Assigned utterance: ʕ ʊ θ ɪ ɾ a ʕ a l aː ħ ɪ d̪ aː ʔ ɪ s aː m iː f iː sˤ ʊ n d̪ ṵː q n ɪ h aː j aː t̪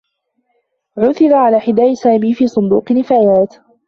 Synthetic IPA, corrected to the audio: ʕ ʊ θ ɪ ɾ a ʕ a l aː ħ ɪ d̪ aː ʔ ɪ s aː m iː f iː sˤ ʊ n d̪ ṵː q n ɪ f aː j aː t̪